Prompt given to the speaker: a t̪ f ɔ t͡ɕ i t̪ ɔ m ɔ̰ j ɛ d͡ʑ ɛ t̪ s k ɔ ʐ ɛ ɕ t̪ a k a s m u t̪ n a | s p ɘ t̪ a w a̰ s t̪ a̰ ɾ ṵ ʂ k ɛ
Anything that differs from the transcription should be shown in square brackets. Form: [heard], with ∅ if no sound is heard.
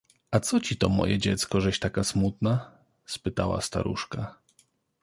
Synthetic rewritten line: a t̪ [s] ɔ t͡ɕ i t̪ ɔ m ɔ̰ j ɛ d͡ʑ ɛ t̪ s k ɔ ʐ ɛ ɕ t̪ a k a s m u t̪ n a | s p ɘ t̪ a w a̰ s t̪ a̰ ɾ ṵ ʂ k [a]